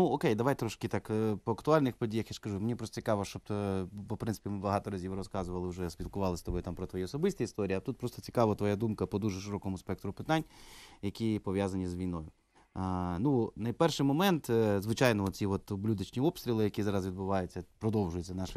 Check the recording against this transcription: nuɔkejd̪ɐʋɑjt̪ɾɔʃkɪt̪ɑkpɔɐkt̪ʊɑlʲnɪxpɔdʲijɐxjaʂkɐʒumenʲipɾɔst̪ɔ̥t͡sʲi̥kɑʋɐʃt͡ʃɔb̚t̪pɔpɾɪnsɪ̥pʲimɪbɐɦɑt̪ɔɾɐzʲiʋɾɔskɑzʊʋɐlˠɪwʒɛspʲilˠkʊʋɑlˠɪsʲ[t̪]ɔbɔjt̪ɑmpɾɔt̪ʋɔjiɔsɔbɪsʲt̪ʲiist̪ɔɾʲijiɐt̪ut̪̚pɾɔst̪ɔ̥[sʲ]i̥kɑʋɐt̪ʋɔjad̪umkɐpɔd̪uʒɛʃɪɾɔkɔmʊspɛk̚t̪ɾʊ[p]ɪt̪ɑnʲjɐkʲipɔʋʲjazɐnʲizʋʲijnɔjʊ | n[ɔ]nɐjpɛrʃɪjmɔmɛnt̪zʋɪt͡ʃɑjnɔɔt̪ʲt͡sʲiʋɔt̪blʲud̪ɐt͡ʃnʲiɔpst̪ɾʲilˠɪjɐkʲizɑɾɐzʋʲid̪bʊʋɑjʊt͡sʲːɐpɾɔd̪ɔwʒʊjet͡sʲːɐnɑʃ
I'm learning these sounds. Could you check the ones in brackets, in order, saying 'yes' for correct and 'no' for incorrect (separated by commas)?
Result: yes, no, yes, no